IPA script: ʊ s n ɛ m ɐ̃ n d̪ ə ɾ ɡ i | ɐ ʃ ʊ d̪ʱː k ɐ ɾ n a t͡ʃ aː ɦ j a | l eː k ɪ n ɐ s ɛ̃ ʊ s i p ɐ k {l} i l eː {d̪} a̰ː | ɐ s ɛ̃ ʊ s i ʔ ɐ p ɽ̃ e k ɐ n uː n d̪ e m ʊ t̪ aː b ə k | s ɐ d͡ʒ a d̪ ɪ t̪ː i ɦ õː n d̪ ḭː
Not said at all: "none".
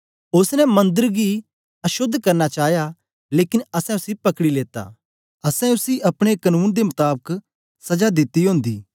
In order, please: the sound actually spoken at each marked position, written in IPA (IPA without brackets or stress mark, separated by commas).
ɽ, t̪